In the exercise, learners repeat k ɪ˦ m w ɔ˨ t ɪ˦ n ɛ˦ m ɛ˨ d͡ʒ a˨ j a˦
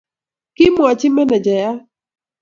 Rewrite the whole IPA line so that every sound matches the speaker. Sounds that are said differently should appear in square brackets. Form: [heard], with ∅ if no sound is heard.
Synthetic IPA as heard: k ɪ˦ m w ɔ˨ [t͡ʃ] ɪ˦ [m] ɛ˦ [n] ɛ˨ d͡ʒ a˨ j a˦